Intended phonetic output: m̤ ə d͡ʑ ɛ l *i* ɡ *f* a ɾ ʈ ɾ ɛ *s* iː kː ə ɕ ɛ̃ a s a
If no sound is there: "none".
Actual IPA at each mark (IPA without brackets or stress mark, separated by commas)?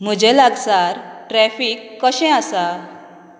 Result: a, s, f